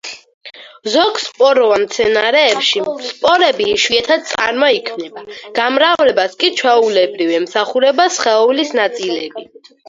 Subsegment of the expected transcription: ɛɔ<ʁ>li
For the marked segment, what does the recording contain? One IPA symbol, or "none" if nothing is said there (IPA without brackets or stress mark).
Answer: v